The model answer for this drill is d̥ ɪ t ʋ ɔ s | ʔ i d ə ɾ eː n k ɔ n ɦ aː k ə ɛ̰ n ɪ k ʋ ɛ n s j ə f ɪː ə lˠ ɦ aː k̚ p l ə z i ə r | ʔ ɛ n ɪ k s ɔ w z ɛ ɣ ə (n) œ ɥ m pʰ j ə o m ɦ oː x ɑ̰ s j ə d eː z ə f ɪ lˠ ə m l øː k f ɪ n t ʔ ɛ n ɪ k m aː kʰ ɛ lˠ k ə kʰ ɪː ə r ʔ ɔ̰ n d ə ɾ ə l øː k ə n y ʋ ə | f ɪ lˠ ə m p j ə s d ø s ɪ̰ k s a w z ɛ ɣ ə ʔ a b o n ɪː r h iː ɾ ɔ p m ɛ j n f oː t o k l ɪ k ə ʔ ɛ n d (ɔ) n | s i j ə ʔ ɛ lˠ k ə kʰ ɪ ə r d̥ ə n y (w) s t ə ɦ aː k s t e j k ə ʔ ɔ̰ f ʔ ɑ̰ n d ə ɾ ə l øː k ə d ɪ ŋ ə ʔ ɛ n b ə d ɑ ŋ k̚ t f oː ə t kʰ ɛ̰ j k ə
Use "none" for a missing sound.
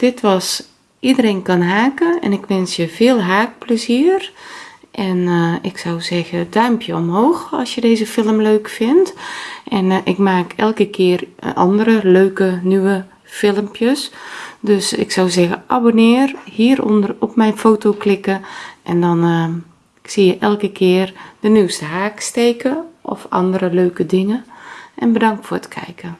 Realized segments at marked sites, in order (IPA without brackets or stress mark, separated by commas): d, ɔ, w